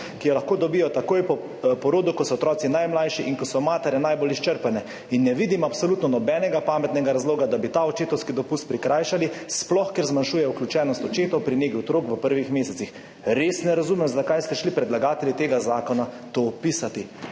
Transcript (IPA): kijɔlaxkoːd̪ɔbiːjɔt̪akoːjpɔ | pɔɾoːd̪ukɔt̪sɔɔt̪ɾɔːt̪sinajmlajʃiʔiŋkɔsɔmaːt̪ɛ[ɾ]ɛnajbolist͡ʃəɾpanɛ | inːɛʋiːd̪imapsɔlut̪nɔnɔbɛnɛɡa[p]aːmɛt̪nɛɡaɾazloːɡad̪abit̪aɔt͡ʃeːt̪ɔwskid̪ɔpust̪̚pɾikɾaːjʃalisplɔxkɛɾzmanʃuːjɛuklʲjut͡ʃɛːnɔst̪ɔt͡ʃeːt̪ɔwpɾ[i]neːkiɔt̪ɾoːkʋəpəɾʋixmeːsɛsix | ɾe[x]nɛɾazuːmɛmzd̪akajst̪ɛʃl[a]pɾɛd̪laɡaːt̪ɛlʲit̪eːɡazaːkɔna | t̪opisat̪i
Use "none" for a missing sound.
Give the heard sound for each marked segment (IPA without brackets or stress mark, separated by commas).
ɾ, p, i, s, i